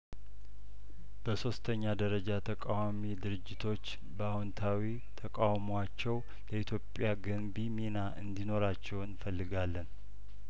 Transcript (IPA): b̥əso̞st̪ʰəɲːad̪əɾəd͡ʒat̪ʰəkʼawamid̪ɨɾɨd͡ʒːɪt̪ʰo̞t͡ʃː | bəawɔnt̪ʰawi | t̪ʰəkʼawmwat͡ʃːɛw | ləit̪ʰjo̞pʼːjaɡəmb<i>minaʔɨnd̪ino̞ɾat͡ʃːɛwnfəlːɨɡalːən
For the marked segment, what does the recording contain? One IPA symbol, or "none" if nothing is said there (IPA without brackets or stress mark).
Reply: i